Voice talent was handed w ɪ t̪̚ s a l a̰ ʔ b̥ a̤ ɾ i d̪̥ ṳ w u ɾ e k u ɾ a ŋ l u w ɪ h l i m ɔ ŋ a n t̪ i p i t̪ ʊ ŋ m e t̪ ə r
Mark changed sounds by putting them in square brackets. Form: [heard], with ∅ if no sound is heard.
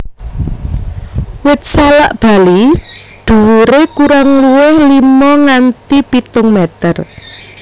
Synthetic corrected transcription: w ɪ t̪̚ s a l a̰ ʔ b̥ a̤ [l] i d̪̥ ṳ w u ɾ e k u ɾ a ŋ l u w ɪ h l i m ɔ ŋ a n t̪ i p i t̪ ʊ ŋ m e t̪ ə r